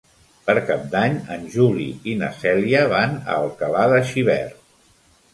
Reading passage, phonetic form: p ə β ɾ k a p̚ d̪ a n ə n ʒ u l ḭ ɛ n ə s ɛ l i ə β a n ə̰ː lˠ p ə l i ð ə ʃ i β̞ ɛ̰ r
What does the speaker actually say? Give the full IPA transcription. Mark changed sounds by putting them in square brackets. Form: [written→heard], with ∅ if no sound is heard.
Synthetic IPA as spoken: p ə [β→∅] ɾ k a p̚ d̪ a [n→ɲ] ə n ʒ u l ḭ [ɛ→i] n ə s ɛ l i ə β a n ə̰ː lˠ [p→k] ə l [i→a] ð ə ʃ i β̞ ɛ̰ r